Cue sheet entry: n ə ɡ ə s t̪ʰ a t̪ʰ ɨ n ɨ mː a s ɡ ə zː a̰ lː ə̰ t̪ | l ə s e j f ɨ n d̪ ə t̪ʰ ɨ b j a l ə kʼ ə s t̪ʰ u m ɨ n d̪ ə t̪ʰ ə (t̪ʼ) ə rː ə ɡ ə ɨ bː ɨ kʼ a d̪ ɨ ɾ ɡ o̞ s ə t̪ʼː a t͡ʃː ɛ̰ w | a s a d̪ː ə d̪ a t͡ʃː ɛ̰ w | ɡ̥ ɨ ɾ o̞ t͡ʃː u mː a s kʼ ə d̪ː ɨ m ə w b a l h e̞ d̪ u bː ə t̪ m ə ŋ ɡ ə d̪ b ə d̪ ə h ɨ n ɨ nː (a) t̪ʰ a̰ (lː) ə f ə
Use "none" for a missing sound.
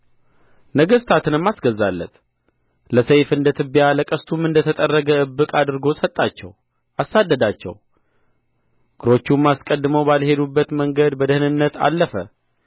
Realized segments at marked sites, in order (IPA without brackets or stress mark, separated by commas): t̪ʼ, ə, lː